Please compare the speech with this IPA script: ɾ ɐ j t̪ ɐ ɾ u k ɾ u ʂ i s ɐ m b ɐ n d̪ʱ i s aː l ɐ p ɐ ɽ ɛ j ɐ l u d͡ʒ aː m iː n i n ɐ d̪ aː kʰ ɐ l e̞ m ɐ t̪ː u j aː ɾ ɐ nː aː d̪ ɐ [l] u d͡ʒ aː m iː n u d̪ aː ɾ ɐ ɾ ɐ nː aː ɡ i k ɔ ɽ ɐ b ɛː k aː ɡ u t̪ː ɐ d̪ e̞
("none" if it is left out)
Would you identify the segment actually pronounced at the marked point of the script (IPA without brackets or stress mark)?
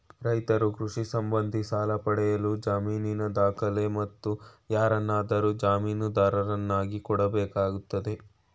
ɾ